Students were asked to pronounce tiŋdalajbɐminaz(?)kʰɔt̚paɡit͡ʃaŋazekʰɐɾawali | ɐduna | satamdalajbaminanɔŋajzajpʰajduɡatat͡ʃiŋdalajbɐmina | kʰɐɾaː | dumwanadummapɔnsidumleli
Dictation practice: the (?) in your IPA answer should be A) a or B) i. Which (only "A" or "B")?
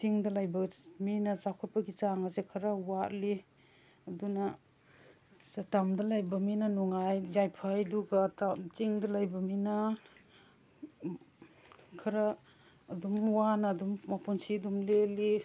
A